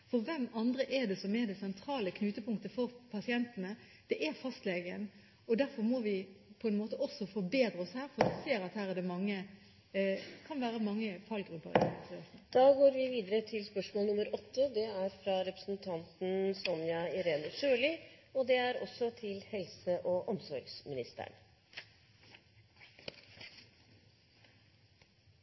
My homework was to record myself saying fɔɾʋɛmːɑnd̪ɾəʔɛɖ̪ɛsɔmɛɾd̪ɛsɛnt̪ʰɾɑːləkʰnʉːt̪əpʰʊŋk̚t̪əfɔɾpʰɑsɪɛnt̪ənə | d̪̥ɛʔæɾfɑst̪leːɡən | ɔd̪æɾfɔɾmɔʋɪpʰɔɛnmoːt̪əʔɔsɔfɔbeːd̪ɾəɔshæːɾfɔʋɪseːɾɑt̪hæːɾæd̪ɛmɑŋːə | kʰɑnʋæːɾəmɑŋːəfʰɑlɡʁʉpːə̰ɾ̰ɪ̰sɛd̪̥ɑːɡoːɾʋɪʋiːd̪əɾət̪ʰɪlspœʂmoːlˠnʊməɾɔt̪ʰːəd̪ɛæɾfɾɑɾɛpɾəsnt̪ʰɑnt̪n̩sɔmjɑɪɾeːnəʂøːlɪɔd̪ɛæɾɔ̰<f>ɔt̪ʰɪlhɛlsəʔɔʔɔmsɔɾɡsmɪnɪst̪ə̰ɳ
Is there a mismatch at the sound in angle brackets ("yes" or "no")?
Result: yes